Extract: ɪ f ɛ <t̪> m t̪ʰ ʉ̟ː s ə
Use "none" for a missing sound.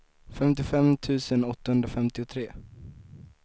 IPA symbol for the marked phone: none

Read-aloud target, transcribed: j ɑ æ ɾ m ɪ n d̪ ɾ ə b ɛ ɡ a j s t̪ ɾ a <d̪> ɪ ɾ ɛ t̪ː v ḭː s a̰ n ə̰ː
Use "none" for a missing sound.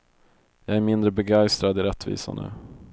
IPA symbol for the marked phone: d̪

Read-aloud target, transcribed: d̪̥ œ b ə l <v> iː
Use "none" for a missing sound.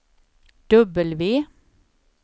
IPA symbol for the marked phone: ʋ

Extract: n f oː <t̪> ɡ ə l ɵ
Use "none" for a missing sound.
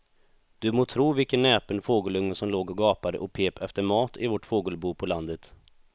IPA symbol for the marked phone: none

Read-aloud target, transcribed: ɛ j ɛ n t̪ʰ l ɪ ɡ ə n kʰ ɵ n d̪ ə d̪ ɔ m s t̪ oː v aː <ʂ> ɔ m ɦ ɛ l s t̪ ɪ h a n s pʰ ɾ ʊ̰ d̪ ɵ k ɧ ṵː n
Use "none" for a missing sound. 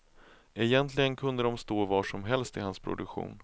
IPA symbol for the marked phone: ʂ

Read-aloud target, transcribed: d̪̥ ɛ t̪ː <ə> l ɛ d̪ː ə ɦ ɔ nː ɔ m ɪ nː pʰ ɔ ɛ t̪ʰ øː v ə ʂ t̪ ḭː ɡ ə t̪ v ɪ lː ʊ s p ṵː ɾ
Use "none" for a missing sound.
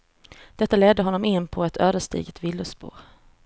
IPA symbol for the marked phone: a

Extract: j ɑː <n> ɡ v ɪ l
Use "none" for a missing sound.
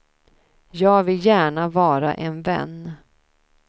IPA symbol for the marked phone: none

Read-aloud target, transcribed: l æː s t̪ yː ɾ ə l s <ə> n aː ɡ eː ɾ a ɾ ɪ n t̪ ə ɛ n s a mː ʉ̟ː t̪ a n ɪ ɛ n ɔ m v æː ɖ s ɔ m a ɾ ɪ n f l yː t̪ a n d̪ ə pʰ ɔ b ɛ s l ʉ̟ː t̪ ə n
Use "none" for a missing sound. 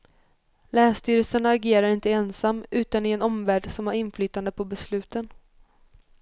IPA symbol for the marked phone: ə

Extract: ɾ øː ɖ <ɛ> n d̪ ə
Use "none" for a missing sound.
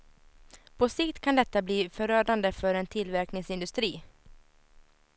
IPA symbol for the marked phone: a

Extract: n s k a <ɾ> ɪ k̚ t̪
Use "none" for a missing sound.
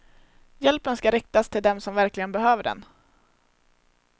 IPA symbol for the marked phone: ɾ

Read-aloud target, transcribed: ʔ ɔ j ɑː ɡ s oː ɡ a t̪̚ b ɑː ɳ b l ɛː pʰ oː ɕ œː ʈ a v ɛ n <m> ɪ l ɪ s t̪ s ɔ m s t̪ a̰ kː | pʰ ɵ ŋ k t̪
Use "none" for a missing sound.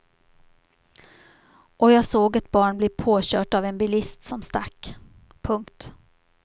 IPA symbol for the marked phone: b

